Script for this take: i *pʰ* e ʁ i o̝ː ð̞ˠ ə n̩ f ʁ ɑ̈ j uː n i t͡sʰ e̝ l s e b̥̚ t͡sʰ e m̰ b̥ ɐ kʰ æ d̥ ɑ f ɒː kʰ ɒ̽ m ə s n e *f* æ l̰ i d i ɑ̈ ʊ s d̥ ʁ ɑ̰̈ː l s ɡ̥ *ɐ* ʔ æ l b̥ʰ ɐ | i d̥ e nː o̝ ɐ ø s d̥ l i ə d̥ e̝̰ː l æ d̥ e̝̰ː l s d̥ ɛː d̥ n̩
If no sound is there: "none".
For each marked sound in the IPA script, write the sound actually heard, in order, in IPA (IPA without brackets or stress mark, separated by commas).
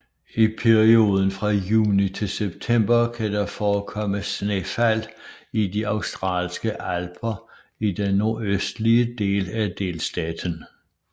pʰ, f, ə